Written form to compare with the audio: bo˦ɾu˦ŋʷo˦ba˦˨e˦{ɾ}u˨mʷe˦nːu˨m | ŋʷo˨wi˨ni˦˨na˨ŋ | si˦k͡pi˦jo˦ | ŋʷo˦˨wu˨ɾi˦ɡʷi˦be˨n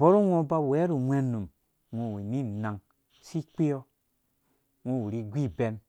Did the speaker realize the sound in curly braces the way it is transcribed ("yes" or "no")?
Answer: yes